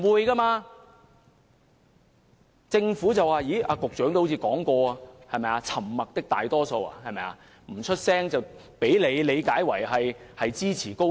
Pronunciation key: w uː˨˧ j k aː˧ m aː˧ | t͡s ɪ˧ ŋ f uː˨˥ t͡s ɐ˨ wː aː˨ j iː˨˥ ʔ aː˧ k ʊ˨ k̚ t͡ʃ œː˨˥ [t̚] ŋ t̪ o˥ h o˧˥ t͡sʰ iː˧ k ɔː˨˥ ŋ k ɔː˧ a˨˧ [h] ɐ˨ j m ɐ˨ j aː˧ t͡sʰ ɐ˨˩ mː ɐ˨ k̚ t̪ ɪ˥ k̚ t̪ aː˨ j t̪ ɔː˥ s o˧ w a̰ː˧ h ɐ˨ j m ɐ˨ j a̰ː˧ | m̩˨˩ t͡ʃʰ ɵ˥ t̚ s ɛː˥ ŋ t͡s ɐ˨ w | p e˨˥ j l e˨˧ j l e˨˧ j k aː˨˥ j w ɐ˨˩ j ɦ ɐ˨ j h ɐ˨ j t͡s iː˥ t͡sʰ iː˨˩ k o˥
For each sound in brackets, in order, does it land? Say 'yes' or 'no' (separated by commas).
no, yes